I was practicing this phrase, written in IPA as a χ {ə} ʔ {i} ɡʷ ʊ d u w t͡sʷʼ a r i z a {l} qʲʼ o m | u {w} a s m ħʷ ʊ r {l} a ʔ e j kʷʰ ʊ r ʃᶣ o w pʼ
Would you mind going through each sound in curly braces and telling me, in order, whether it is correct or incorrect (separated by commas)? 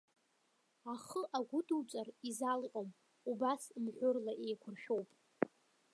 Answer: correct, incorrect, correct, incorrect, correct